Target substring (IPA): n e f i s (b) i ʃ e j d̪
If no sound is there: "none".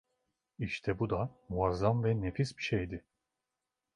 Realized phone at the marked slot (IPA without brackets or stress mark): b